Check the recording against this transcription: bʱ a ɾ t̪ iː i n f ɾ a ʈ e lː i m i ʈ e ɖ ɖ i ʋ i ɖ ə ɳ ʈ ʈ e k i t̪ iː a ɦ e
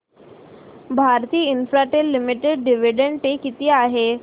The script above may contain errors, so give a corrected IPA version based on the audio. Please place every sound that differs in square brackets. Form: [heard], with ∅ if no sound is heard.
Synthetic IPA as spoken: bʱ a ɾ t̪ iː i n f ɾ a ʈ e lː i m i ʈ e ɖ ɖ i ʋ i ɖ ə ɳ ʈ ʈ e k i t̪ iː a ɦ e